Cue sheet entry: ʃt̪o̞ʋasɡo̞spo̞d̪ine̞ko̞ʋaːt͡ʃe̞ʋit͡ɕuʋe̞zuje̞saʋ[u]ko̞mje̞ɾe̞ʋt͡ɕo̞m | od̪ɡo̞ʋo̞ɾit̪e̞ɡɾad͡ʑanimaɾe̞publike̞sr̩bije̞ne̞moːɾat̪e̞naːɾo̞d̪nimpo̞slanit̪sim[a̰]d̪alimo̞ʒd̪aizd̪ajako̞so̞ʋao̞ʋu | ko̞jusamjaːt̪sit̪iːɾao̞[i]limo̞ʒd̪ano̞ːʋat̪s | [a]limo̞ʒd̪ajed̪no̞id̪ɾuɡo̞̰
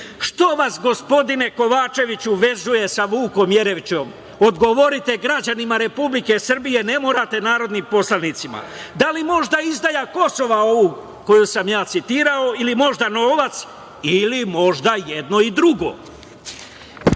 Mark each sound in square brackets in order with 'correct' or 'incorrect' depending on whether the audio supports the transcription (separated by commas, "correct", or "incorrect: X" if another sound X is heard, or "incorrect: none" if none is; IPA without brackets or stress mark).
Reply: incorrect: uː, correct, correct, incorrect: i